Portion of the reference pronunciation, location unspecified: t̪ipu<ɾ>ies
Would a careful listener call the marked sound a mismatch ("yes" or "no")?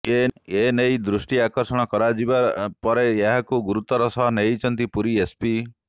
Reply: no